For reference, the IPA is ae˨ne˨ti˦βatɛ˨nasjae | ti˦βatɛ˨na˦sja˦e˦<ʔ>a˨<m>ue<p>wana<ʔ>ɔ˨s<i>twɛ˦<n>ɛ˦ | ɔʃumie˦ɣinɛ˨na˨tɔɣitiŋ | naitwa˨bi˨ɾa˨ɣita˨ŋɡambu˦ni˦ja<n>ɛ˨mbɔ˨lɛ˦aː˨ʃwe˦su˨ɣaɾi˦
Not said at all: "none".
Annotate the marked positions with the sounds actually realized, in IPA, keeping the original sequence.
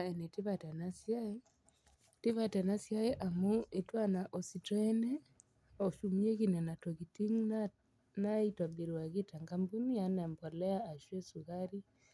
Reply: ʔ, m, t, ʔ, i, n, n

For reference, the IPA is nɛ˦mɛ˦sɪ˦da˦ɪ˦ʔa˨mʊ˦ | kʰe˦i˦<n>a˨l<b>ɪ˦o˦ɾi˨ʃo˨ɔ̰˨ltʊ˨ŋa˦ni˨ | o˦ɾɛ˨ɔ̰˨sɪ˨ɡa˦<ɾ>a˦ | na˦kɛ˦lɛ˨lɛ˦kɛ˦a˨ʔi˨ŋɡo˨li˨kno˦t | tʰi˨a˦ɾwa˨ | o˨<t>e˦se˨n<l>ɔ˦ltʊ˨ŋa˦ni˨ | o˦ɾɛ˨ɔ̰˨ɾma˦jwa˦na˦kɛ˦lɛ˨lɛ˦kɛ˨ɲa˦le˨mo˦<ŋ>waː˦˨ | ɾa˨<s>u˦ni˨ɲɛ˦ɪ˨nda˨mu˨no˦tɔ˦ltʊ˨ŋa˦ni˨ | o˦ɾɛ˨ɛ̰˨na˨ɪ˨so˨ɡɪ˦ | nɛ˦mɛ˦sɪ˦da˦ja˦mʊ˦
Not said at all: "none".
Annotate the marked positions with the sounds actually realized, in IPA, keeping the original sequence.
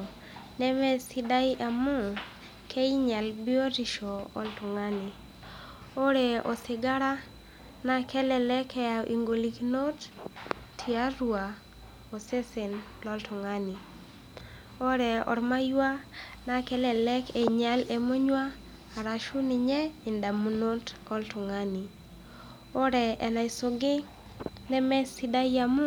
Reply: ɲ, b, ɾ, s, l, ɲ, ʃ

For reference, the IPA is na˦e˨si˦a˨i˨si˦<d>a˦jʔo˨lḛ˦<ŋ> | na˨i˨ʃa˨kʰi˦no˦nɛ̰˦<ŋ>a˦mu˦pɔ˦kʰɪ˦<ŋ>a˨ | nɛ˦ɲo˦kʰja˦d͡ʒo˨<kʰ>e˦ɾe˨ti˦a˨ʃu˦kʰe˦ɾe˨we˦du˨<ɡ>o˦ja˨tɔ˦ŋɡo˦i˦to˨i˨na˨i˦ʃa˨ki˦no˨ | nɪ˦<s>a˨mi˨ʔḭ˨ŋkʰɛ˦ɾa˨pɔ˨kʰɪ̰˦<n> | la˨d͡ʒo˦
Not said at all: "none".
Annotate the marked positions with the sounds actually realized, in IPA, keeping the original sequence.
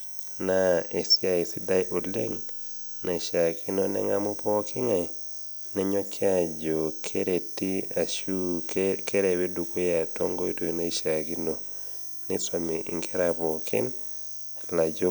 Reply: d, ŋ, ŋ, ŋ, kʰ, k, s, n

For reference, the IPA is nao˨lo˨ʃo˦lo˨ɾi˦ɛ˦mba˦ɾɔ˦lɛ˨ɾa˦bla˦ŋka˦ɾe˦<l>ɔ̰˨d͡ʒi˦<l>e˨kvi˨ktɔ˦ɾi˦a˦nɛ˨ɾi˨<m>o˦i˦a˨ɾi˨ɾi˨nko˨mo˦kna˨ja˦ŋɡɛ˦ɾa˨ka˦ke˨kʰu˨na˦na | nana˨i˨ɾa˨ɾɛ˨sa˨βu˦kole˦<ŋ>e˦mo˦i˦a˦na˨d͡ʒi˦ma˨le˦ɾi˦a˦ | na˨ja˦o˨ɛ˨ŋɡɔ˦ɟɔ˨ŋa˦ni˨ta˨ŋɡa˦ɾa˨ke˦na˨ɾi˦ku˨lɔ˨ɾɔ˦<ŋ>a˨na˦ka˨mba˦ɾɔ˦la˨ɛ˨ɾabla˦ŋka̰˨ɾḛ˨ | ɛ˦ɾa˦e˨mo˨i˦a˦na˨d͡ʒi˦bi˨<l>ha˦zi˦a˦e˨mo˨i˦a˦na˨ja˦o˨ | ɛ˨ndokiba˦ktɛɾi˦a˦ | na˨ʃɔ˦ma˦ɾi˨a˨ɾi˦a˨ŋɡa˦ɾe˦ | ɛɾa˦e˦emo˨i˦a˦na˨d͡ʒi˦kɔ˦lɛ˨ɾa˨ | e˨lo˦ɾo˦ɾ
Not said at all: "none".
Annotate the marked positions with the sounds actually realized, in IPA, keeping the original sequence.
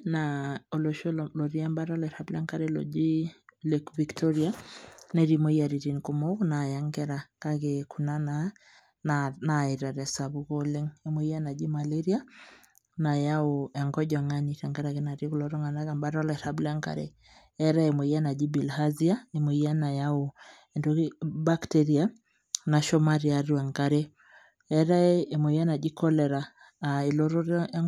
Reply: l, l, m, ŋ, ŋ, l

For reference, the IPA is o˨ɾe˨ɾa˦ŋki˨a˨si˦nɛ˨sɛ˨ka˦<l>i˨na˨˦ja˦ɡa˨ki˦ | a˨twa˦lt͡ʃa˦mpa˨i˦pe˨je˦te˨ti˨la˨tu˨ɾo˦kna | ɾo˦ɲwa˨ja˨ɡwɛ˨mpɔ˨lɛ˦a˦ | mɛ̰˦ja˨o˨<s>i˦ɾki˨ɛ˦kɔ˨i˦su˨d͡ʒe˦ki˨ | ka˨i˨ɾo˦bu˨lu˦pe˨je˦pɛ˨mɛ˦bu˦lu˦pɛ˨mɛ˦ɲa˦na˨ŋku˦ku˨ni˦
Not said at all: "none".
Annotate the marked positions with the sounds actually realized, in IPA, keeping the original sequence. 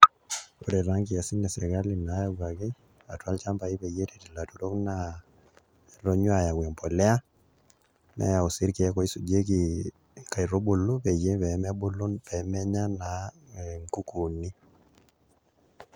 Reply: l, s

